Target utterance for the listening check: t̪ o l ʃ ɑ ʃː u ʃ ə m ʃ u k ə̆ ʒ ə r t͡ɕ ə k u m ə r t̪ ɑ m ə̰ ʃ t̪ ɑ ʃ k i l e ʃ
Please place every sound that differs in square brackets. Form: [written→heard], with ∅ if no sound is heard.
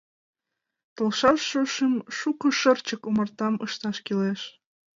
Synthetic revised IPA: t̪ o l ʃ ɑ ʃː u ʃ ə m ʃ u k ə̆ [ʒ→ʃ] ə r t͡ɕ ə k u m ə r t̪ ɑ m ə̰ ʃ t̪ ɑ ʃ k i l e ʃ